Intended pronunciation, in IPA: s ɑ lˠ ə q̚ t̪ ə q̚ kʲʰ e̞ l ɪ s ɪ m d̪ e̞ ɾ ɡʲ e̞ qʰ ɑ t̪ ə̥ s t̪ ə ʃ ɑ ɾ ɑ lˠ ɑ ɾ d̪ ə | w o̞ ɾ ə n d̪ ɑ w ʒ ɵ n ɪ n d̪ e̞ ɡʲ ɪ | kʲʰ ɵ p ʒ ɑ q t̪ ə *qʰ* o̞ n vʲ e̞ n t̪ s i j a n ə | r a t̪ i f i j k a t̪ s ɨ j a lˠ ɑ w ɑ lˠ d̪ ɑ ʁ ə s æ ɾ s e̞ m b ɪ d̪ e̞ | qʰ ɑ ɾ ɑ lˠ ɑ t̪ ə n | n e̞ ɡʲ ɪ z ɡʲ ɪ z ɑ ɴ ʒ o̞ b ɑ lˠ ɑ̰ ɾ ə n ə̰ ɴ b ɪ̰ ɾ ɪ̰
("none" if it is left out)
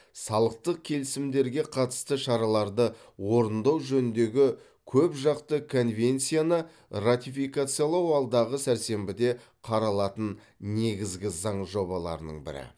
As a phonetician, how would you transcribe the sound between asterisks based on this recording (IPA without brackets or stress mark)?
kʰ